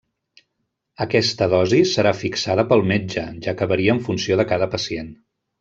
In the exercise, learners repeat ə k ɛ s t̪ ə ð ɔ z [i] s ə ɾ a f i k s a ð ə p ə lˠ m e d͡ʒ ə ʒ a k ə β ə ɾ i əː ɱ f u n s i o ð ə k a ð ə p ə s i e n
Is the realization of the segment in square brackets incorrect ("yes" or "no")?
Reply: no